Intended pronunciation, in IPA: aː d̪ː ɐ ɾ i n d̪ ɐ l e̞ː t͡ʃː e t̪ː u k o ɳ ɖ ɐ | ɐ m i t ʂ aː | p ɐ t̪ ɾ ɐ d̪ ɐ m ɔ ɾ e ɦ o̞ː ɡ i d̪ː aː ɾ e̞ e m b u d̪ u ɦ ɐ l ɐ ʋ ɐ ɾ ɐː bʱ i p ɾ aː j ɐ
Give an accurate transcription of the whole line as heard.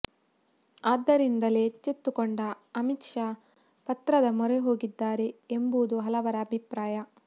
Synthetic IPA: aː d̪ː ɐ ɾ i n d̪ ɐ l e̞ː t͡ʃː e t̪ː u k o ɳ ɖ ɐ | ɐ m i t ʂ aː | p ɐ t̪ ɾ ɐ d̪ ɐ m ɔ ɾ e ɦ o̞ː ɡ i d̪ː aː ɾ e̞ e m b u d̪ u ɦ ɐ l ɐ ʋ ɐ ɾ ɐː bʱ i p ɾ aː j ɐ